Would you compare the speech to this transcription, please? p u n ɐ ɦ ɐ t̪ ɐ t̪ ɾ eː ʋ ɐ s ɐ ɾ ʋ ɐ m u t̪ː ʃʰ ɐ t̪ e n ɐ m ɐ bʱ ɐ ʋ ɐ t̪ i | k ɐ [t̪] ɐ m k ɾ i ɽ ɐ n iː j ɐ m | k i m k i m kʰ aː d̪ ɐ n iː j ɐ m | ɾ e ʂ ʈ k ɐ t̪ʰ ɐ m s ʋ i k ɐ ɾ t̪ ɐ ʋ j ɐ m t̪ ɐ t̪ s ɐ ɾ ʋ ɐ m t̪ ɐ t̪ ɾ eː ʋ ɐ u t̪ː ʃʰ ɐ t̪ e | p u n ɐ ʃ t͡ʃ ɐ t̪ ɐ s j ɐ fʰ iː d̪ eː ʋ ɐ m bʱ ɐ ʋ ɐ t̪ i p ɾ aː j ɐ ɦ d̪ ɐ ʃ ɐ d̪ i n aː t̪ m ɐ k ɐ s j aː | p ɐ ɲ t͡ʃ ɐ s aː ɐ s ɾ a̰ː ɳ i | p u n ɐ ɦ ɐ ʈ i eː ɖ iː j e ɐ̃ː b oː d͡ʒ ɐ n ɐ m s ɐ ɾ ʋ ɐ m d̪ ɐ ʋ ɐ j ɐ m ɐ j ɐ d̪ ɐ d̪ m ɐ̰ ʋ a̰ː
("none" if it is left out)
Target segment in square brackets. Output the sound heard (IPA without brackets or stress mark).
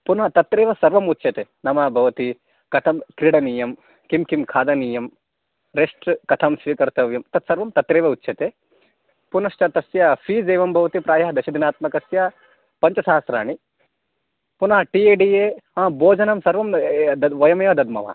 t̪ʰ